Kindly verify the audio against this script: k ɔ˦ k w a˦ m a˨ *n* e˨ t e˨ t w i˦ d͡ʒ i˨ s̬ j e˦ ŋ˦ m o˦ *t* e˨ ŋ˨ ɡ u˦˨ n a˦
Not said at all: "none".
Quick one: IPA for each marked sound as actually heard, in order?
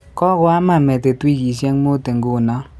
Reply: m, t

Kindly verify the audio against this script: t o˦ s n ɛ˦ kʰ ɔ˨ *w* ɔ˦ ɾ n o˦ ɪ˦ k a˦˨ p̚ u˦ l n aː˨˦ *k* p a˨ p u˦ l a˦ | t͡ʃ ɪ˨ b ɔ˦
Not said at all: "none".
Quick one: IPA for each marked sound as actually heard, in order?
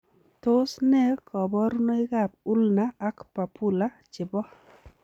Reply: b, k

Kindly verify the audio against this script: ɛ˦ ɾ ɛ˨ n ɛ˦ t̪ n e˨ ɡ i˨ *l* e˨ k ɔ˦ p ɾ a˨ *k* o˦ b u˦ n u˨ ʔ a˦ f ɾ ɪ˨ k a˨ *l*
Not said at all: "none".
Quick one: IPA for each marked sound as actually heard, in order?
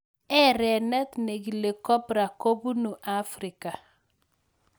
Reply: l, k, none

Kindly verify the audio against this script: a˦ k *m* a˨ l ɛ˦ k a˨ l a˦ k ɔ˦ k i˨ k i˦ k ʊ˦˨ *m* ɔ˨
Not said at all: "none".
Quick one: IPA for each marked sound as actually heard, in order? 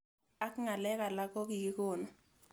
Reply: ŋ, n

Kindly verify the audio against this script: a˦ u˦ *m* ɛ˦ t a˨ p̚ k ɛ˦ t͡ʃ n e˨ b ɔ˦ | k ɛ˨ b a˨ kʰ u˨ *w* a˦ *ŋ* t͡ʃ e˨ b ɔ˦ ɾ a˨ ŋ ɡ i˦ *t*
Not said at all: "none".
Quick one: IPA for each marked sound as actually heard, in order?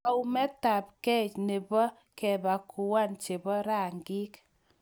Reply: m, w, n, k

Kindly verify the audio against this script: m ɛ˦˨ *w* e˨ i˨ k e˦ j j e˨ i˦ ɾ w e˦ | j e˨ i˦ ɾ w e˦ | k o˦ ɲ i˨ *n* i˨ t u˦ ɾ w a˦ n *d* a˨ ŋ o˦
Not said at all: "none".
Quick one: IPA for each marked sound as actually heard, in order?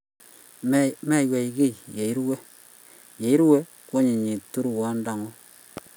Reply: w, ɲ, d

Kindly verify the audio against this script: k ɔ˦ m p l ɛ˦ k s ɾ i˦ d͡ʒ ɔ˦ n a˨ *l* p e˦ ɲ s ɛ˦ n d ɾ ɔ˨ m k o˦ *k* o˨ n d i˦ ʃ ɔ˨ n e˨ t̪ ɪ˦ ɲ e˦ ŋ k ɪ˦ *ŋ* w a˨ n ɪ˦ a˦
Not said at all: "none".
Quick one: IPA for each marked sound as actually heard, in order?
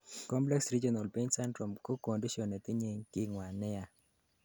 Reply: l, k, ŋ

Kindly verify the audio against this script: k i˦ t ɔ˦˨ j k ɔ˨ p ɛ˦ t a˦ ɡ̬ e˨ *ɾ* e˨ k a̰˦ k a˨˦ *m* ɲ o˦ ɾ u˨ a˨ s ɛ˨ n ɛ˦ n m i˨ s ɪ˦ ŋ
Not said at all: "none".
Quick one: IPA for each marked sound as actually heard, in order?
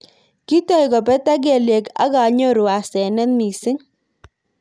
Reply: l, none

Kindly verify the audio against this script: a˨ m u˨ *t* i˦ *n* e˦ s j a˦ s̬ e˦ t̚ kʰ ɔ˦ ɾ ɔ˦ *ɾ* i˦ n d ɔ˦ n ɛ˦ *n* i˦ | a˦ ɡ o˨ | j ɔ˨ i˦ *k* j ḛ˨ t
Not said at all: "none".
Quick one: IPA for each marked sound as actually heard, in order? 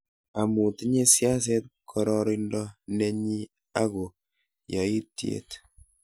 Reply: t, ɲ, ɾ, ɲ, t

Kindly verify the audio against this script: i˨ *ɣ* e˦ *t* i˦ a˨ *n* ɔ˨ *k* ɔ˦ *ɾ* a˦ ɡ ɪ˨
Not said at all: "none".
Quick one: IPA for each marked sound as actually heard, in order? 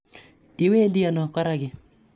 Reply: w, d, n, k, ɾ

